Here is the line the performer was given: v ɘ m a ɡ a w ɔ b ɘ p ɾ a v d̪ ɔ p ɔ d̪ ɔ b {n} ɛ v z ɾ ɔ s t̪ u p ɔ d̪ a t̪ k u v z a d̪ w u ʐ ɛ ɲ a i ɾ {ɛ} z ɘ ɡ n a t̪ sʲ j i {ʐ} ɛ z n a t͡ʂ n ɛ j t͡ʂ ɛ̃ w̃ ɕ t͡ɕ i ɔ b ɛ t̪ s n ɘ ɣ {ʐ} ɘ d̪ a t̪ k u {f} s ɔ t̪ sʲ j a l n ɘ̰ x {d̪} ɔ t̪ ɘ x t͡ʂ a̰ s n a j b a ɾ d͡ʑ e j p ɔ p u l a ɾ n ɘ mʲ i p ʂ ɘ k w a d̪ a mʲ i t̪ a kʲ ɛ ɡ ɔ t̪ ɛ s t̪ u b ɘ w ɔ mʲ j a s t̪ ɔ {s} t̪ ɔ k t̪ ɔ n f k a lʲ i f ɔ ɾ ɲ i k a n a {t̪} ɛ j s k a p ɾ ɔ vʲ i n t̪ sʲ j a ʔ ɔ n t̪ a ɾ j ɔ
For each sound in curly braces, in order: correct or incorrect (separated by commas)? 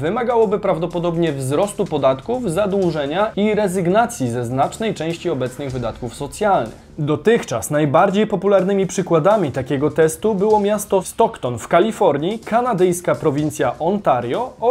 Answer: incorrect, correct, incorrect, incorrect, correct, correct, correct, incorrect